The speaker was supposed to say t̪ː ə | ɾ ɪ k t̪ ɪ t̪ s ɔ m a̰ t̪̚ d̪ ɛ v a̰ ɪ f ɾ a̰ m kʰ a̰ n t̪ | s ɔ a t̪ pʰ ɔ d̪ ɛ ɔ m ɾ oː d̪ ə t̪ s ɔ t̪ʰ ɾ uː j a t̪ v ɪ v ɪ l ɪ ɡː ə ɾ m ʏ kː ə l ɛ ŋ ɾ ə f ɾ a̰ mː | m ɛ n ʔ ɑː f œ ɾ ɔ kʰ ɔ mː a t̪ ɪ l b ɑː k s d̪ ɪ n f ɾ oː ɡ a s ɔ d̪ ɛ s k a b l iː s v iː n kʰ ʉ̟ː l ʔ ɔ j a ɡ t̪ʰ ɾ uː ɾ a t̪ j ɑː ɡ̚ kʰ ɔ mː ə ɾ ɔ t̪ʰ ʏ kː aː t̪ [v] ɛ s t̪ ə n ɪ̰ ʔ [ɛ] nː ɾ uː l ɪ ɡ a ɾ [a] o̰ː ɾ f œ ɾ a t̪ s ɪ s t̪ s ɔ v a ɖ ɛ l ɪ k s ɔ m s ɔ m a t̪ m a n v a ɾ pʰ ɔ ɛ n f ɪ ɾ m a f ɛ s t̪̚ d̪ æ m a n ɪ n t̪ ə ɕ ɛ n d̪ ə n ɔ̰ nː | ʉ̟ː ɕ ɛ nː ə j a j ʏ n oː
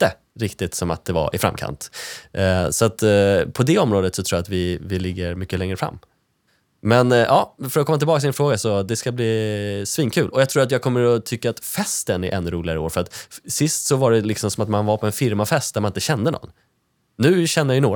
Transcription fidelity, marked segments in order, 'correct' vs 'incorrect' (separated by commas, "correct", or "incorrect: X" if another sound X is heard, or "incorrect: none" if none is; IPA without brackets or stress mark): incorrect: f, correct, incorrect: ə